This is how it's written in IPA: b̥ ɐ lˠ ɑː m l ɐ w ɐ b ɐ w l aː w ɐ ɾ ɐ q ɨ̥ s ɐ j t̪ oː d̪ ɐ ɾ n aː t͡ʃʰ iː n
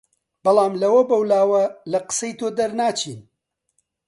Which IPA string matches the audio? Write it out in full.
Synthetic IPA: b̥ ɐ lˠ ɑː m l ɐ w ɐ b ɐ w l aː w ɐ l ɐ q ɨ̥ s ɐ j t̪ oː d̪ ɐ ɾ n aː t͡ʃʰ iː n